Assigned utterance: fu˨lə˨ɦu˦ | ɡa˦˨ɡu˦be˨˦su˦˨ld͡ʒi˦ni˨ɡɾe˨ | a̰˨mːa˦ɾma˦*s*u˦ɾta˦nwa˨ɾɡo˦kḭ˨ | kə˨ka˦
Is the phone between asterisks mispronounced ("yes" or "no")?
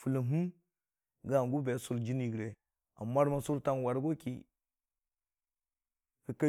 no